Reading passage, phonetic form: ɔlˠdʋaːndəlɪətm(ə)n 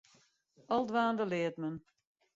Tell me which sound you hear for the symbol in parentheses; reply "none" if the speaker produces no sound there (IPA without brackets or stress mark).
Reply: ə